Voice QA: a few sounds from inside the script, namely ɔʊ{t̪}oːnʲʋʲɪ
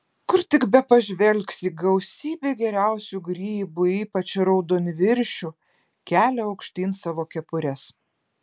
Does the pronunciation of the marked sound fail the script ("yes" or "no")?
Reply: yes